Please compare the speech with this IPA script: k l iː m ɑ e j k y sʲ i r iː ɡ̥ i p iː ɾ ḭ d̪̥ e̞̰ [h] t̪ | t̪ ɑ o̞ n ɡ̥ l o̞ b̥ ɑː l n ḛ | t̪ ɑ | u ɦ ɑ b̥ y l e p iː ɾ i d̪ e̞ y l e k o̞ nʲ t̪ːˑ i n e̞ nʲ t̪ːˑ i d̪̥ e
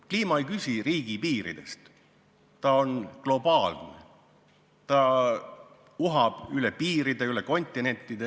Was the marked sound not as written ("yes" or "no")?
yes